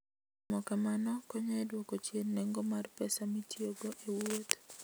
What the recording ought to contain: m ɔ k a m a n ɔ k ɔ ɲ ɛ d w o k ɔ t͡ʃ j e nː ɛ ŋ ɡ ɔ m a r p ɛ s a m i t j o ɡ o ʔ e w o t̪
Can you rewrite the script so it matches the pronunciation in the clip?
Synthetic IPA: m ɔ k a m a n ɔ k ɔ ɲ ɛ d w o k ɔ t͡ʃ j e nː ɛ ŋ ɡ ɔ m a r p ɛ s a m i t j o ɡ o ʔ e w o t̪